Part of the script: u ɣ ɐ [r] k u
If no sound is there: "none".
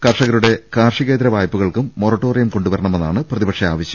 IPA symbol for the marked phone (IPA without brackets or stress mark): ɭ